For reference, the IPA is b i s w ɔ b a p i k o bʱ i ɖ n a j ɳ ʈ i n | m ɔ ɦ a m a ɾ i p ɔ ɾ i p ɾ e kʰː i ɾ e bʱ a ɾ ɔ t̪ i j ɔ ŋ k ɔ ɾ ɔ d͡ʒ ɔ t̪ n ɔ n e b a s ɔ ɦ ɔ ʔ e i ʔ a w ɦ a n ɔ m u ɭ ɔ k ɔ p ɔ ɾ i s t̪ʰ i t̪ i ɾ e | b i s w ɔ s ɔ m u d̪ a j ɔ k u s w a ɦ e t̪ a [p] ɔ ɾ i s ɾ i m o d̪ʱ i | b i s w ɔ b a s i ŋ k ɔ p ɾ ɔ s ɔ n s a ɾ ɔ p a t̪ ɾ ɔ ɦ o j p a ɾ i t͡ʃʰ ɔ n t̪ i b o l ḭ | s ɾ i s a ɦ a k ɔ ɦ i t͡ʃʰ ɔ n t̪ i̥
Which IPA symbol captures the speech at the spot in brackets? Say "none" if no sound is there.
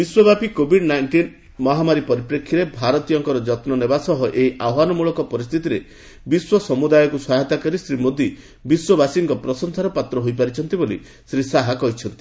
k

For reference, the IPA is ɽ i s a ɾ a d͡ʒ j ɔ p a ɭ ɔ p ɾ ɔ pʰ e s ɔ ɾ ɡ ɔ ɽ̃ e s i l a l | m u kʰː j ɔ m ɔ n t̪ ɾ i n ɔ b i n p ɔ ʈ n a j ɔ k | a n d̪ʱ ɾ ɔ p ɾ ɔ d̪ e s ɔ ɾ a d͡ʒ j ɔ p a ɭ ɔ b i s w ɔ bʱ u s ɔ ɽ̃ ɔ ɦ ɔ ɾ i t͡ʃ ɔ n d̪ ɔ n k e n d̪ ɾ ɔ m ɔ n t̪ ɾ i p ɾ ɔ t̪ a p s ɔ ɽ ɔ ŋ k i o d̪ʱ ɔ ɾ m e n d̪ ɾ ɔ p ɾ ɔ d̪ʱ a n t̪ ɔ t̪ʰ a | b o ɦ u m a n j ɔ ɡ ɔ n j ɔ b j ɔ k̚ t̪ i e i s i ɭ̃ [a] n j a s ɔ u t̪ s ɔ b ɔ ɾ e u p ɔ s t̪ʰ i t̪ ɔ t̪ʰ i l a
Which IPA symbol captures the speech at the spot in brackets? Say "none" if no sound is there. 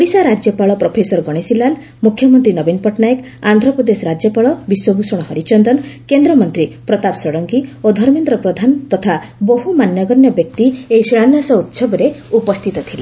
a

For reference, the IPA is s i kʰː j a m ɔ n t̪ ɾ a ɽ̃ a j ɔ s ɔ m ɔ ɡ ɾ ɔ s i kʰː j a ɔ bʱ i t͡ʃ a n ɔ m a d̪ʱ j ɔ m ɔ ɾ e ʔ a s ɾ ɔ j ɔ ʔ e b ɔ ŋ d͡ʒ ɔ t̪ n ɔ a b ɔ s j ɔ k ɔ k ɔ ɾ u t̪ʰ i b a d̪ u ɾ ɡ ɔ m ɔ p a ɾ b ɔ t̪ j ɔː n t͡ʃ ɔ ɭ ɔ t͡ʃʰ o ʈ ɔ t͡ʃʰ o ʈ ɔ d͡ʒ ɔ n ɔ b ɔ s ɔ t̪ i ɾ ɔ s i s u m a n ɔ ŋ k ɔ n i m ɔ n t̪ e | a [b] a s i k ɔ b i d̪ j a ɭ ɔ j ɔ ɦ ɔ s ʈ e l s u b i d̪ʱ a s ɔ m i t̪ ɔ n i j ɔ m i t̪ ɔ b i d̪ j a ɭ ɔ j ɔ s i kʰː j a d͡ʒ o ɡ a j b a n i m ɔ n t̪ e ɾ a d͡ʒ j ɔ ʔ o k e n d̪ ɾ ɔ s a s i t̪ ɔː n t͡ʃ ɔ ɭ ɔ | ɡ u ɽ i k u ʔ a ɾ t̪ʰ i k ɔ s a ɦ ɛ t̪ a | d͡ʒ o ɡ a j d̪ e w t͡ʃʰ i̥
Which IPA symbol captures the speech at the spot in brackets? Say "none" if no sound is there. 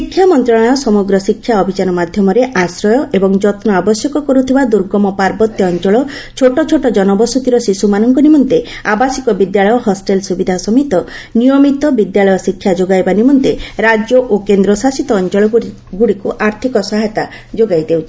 b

